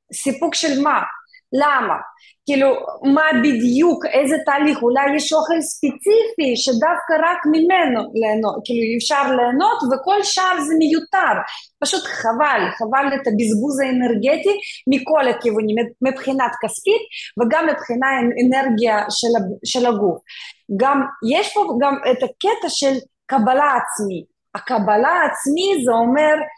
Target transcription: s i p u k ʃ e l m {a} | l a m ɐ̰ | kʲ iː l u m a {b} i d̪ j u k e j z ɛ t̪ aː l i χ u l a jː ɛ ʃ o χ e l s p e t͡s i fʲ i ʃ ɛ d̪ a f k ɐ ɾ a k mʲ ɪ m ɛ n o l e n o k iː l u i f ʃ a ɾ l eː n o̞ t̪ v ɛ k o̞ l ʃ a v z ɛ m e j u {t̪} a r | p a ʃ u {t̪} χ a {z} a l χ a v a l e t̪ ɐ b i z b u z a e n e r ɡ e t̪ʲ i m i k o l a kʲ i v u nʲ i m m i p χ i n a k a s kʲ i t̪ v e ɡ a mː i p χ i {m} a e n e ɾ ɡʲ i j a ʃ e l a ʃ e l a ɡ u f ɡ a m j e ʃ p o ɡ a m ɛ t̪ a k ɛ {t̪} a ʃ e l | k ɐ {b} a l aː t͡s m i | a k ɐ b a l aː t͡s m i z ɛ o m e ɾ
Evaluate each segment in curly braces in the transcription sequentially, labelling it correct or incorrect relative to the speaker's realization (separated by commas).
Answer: correct, correct, correct, correct, incorrect, incorrect, correct, correct